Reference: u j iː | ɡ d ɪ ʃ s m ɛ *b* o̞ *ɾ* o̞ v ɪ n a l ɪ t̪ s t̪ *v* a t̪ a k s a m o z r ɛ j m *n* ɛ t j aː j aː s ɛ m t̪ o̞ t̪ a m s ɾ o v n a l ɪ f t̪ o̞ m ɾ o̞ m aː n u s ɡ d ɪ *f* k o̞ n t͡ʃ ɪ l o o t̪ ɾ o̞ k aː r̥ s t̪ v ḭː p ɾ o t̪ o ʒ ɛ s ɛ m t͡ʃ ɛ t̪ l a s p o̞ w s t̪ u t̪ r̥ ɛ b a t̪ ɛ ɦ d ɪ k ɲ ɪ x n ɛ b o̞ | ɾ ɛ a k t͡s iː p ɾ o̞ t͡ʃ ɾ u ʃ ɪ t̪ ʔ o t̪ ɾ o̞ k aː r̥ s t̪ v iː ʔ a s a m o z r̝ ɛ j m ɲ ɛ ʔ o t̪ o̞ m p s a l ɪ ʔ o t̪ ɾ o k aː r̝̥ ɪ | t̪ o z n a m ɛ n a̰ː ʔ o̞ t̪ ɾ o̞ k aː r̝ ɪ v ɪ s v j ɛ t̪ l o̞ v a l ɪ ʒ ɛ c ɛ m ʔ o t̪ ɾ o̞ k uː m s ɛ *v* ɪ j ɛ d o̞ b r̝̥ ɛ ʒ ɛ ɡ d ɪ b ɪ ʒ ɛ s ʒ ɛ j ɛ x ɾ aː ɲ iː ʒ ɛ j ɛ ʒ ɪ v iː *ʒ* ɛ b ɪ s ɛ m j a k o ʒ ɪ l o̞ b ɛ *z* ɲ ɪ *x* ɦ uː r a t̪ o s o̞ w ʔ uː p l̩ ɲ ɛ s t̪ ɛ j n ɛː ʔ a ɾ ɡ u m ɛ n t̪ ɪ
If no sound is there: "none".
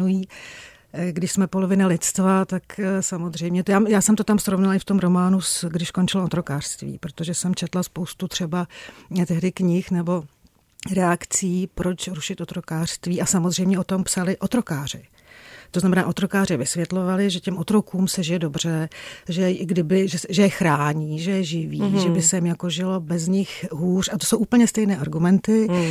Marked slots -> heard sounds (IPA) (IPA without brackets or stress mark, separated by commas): p, l, v, ɲ, ʃ, ʒ, ʒ, z, x